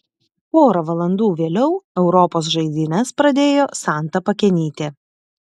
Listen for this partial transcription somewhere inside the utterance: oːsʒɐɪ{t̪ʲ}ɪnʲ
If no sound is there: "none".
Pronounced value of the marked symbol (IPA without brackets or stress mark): d̪ʲ